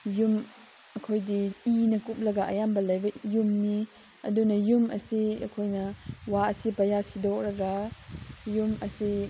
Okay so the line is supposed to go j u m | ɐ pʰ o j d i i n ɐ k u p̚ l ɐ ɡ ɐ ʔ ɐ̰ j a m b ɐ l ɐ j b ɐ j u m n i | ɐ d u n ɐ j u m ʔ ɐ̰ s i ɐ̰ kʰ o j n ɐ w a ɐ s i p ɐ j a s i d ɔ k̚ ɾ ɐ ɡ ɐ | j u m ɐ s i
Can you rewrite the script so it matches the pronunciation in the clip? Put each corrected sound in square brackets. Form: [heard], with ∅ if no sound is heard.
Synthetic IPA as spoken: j u m | ɐ [kʰ] o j d i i n ɐ k u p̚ l ɐ ɡ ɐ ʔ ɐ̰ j a m b ɐ l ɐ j b ɐ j u m n i | ɐ d u n ɐ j u m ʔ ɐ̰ s i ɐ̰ kʰ o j n ɐ w a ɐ s i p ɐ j a s i d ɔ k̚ ɾ ɐ ɡ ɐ | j u m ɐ s i